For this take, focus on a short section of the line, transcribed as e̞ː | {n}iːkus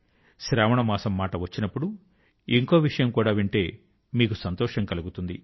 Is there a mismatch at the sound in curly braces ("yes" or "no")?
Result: yes